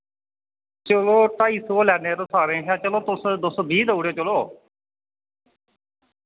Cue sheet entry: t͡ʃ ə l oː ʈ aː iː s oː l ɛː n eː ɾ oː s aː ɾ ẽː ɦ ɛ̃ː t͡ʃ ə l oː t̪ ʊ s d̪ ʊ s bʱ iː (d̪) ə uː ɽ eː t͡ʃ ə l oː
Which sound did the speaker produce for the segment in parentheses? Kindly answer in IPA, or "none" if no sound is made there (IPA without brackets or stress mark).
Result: d̪